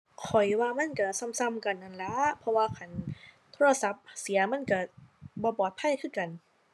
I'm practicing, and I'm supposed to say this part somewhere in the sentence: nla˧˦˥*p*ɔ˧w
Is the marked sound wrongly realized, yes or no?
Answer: yes